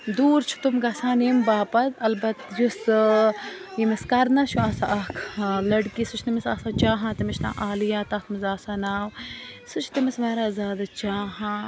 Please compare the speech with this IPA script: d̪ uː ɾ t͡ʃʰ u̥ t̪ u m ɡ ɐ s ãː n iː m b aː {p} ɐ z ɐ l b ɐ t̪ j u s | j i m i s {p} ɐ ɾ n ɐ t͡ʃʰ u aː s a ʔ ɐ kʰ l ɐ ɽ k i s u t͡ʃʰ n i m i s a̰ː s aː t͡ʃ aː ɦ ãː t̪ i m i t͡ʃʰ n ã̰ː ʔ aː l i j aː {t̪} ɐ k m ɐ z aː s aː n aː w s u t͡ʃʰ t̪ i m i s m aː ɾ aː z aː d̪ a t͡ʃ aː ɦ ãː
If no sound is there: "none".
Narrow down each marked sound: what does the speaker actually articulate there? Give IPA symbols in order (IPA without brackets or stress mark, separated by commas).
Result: p, k, t̪